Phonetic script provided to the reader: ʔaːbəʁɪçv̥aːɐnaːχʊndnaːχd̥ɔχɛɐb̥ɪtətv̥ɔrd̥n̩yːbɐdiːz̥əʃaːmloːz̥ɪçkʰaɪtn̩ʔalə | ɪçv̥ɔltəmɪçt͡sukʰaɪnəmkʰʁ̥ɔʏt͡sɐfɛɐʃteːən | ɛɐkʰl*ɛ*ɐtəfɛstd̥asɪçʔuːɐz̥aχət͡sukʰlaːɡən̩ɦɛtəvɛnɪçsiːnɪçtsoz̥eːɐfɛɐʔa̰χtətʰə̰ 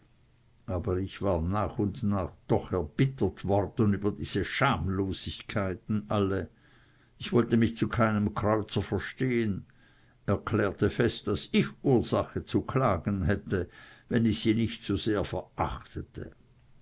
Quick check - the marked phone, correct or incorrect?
incorrect